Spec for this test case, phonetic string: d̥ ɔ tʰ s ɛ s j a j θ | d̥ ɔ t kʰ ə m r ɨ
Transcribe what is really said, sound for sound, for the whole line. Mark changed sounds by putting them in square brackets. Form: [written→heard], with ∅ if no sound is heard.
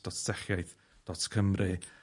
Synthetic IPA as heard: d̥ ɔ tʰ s ɛ [s→χ] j a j θ | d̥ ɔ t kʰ ə m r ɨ